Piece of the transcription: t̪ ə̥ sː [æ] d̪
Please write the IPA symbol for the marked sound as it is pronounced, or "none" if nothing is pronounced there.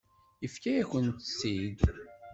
i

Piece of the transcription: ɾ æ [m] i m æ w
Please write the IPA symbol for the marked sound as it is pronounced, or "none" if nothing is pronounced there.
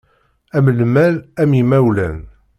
m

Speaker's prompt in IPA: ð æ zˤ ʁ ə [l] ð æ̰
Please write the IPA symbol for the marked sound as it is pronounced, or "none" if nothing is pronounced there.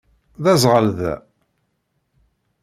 l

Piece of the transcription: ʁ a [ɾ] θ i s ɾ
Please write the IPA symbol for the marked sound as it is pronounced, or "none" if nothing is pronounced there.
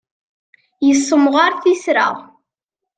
ɾ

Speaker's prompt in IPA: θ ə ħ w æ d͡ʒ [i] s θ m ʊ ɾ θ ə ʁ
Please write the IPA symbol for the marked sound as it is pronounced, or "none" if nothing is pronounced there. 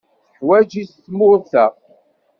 i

